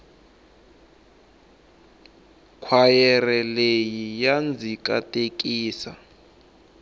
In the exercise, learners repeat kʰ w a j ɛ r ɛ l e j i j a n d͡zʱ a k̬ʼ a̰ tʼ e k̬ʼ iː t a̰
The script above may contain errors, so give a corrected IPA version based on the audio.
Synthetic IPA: kʰ w a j ɛ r ɛ l e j i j a n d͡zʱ i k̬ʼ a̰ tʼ e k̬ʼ iː s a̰